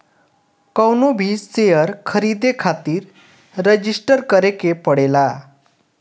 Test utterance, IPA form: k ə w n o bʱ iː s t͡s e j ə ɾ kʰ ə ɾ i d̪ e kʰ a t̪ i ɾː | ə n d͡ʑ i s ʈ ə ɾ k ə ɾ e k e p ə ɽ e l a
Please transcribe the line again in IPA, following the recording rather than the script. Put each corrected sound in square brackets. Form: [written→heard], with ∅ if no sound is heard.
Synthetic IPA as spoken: k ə w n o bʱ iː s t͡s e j ə ɾ kʰ ə ɾ i d̪ e kʰ a t̪ [i→iː] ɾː | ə [n→∅] d͡ʑ i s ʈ ə ɾ k ə ɾ e k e p ə ɽ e l a